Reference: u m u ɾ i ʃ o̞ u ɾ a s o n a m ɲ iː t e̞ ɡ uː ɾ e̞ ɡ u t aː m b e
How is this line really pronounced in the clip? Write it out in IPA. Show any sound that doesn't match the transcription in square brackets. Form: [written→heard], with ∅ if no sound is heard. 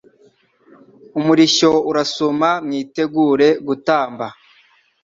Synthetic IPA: u m u ɾ i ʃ o̞ u ɾ a s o [n→m] a m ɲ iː t e̞ ɡ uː ɾ e̞ ɡ u t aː m b [e→a]

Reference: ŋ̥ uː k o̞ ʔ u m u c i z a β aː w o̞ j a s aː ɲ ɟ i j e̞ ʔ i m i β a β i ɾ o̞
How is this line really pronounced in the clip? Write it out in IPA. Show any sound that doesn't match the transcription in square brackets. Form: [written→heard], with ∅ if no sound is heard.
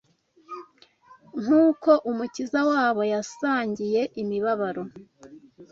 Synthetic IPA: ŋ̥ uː k o̞ ʔ u m u c i z a [β→w] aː [w→β] o̞ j a s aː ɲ ɟ i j e̞ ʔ i m i β a β [i→a] ɾ o̞

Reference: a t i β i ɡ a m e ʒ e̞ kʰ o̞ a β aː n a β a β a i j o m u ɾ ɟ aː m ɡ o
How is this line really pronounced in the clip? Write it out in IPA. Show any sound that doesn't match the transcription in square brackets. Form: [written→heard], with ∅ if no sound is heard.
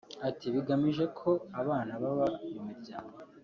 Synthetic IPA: a t i β i ɡ a m [e→i] ʒ e̞ kʰ o̞ a β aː n a β a β a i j o m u ɾ ɟ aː [m→ŋ] ɡ o

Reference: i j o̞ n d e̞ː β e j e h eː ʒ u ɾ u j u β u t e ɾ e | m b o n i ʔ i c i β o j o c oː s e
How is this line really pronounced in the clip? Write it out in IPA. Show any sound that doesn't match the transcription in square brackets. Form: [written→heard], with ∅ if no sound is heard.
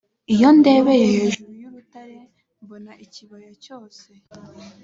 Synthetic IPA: i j o̞ n d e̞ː β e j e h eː ʒ u ɾ u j u β u t [e→a] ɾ e | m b o n [i→a] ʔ i c i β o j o c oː s e

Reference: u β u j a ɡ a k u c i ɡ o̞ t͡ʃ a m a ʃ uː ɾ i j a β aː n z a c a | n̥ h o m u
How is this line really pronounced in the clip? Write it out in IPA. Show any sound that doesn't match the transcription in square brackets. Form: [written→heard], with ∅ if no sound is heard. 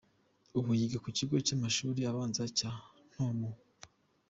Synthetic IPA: u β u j [a→i] ɡ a k u c i ɡ o̞ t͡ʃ a m a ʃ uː ɾ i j a β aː n z a c a | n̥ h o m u

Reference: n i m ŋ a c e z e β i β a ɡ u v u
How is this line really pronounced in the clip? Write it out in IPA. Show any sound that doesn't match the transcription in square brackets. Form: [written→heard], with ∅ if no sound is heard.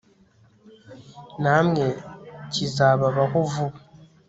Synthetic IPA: n [i→a] m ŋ [a→e] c [e→i] z [e→a] β [i→a] β a [ɡ→k] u v u

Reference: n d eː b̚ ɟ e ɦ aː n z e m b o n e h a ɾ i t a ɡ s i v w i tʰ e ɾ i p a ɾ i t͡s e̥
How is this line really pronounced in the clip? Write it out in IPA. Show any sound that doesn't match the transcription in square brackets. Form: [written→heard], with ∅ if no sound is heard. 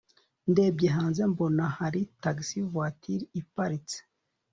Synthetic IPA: n d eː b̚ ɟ e ɦ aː n z e m b o n [e→a] h a ɾ i t a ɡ s i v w [i→a] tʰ [e→i] ɾ i p a ɾ i t͡s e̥

